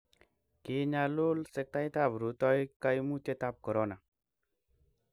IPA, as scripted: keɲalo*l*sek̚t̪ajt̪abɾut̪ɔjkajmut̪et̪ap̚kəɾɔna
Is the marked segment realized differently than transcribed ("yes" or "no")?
no